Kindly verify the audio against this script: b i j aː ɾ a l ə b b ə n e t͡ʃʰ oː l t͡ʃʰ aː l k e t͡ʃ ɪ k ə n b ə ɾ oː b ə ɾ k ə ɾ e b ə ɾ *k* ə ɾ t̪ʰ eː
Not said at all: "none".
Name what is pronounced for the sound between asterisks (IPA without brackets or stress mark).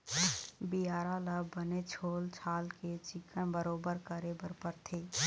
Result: p